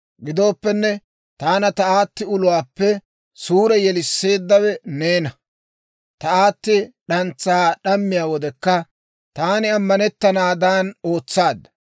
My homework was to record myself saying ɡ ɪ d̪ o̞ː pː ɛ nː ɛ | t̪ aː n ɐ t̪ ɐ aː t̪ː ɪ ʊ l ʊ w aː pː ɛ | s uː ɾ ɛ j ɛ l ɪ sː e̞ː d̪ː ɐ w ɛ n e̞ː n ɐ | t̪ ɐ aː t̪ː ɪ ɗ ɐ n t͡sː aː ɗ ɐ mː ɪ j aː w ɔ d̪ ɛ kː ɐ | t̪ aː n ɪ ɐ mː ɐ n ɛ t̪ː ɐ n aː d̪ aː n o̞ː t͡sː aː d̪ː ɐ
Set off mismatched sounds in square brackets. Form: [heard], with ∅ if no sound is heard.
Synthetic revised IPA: ɡ ɪ d̪ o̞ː pː ɛ nː ɛ | t̪ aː n ɐ t̪ ɐ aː t̪ː ɪ ʊ l ʊ w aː pː ɛ | s uː ɾ ɛ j ɛ l ɪ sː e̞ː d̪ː ɐ w ɛ n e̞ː n ɐ | t̪ ɐ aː t̪ː ɪ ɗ ɐ n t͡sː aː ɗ ɐ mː ɪ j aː w ɔ d̪ ɛ kː ɐ | t̪ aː n ɪ ɐ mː ɐ n ɛ t̪ː ɐ n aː d̪ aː n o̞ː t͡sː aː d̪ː ɐ